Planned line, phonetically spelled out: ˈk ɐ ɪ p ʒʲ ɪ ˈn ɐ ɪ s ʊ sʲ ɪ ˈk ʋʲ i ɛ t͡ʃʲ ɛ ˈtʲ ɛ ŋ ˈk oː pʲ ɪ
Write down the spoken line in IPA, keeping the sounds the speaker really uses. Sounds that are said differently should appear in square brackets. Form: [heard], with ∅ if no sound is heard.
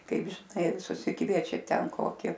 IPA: ˈk ɐ ɪ p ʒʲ ɪ ˈn ɐ ɪ s ʊ sʲ ɪ ˈk ʋʲ i ɛ t͡ʃʲ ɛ ˈtʲ ɛ [n] ˈk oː [kʲ] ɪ